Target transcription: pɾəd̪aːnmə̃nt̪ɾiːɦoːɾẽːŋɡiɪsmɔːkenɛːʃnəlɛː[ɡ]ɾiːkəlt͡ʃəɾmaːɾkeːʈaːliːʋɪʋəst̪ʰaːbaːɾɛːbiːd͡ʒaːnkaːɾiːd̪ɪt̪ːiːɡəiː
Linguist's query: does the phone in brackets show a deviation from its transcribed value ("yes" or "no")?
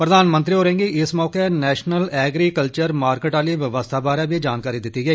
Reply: no